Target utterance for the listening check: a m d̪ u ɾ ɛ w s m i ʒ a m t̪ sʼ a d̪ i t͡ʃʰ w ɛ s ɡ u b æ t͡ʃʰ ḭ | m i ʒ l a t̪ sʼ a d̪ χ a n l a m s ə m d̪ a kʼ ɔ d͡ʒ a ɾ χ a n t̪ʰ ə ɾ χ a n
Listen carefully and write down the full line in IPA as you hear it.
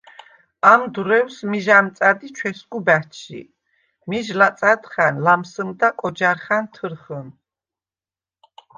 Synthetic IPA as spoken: a m d̪ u ɾ ɛ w s m i ʒ a m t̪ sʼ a d̪ i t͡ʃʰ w ɛ s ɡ u b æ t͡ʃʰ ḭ | m i ʒ l a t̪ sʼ a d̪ χ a n l a m s ə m d̪ a kʼ ɔ d͡ʒ a ɾ χ a n t̪ʰ ə ɾ χ ə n